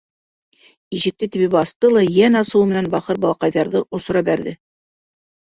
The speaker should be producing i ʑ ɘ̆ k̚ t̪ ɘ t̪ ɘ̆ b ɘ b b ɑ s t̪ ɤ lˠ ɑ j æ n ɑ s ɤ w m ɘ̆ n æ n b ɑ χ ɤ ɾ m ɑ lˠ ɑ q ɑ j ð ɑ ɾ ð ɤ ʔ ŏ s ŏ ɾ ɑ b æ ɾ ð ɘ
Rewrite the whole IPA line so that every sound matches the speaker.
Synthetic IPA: i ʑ ɘ̆ k̚ t̪ ɘ t̪ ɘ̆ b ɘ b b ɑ s t̪ ɤ lˠ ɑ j æ n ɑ s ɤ w m ɘ̆ n æ n b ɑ χ ɤ ɾ b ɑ lˠ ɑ q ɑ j ð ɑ ɾ ð ɤ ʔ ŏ s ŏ ɾ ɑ b æ ɾ ð ɘ